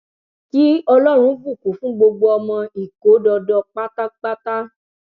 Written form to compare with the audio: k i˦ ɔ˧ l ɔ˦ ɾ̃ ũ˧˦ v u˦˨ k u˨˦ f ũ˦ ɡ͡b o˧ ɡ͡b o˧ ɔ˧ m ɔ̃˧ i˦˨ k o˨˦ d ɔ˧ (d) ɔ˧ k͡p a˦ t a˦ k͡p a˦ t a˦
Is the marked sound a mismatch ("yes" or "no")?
no